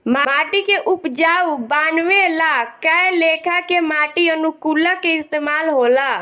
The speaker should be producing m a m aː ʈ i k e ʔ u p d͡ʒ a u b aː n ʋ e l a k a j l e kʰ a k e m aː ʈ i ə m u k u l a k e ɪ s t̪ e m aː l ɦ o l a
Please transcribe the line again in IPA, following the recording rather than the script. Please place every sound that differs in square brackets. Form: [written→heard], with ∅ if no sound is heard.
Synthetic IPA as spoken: m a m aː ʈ i k e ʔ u p d͡ʒ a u b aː n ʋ e l a k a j l e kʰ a k e m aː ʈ i ə [m→n] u k u l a k e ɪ s t̪ e m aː l ɦ o l a